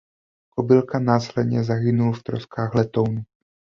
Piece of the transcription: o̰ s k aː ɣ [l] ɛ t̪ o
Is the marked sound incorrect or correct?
correct